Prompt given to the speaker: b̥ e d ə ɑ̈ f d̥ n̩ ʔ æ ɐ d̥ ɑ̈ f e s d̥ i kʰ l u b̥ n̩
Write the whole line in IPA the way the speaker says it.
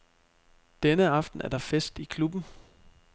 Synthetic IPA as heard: d̥ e n ə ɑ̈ f d̥ n̩ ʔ æ ɐ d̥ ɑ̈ f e s d̥ i kʰ l u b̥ n̩